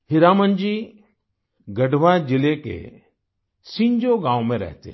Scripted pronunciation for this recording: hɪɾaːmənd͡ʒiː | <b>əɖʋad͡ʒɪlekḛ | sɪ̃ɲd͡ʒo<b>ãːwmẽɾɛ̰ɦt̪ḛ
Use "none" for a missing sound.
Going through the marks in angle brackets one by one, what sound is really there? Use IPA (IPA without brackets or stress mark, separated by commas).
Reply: ɡ, ɡ